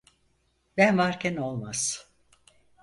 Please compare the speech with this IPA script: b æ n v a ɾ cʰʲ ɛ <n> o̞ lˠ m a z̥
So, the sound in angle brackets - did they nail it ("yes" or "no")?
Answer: yes